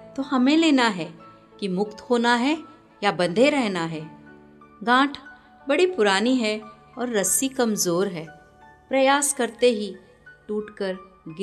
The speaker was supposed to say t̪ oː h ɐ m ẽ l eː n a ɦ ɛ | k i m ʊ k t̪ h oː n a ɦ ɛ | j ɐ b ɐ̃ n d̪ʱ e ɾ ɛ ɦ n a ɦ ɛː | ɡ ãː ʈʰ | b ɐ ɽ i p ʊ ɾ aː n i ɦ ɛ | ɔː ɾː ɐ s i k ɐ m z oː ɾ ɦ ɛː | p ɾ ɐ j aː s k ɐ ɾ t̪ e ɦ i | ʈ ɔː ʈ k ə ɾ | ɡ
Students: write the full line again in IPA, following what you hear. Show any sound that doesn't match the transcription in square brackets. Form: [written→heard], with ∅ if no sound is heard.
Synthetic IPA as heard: t̪ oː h ɐ m ẽ l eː n a ɦ ɛ | k i m ʊ k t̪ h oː n a ɦ ɛ | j [ɐ→a] b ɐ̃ n d̪ʱ e ɾ ɛ ɦ n a ɦ ɛː | ɡ ãː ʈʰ | b ɐ ɽ i p ʊ ɾ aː n i ɦ ɛ | ɔː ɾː ɐ s i k ɐ m z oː ɾ ɦ ɛː | p ɾ ɐ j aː s k ɐ ɾ t̪ e ɦ i | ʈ [ɔː→uː] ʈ k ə ɾ | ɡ